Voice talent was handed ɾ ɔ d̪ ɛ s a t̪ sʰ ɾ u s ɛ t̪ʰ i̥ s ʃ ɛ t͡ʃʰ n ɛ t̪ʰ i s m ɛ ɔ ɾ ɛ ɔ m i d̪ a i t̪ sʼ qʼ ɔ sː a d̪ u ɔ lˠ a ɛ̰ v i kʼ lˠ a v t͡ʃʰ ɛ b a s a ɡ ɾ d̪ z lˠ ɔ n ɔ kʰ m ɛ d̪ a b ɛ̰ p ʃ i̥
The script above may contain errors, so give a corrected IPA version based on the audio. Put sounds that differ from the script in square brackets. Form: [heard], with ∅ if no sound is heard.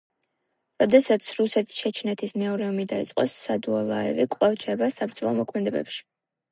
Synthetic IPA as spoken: ɾ ɔ d̪ ɛ s a t̪ sʰ ɾ u s ɛ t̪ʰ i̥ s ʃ ɛ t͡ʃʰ n ɛ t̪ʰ i s m ɛ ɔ ɾ ɛ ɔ m i d̪ a i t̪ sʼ qʼ ɔ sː a d̪ u ɔ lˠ a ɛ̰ v i kʼ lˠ a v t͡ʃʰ ɛ b a s a [b] ɾ d̪ z lˠ ɔ [m] ɔ kʰ m ɛ d̪ [ɛ] b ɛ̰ p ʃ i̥